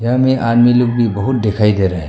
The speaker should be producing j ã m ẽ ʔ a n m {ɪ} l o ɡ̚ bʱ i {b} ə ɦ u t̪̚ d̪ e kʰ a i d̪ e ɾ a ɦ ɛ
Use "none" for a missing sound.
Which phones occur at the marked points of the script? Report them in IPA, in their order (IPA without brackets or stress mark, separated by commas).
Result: i, b